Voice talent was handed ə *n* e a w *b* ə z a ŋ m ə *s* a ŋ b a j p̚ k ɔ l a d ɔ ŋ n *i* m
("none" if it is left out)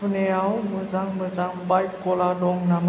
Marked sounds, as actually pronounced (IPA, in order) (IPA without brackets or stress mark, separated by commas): n, m, z, a